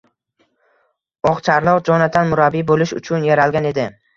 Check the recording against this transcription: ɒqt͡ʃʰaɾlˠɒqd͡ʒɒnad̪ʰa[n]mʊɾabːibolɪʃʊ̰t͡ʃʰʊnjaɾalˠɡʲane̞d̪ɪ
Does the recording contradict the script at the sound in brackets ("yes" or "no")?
no